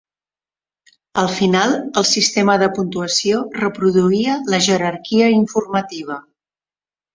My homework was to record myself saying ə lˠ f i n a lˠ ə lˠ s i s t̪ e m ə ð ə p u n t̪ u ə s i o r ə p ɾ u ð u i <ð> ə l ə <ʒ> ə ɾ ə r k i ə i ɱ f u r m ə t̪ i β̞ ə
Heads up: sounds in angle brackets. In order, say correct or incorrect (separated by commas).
incorrect, correct